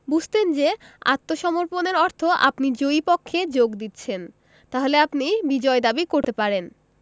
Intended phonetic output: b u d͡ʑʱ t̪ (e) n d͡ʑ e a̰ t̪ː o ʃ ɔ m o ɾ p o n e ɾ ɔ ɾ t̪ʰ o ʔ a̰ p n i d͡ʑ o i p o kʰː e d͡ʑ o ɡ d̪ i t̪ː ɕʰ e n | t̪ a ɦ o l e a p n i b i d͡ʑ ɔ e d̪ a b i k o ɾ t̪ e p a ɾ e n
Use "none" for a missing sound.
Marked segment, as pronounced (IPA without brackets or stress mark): e